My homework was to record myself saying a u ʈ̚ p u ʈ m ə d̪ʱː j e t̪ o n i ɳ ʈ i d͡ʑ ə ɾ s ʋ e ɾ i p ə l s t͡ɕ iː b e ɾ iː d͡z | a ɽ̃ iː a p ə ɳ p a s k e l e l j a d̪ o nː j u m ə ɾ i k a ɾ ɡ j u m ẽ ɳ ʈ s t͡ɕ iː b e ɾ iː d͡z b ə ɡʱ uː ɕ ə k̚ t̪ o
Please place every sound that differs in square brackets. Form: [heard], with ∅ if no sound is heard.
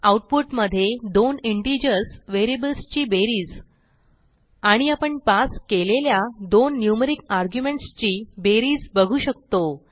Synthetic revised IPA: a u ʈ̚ p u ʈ m ə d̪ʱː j e [d̪] o n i ɳ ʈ i d͡ʑ ə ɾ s ʋ e ɾ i [b] ə l s t͡ɕ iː b e ɾ iː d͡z | a ɽ̃ [i] a p ə ɳ p a s k e l e l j a d̪ o nː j u m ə ɾ i k a ɾ ɡ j u m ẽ ɳ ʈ s t͡ɕ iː b e ɾ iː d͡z b ə ɡʱ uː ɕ ə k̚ t̪ o